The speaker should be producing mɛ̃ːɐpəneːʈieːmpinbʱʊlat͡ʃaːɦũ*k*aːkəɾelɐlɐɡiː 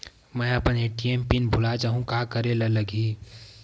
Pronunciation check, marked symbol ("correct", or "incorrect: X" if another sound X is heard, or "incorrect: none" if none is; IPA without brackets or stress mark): correct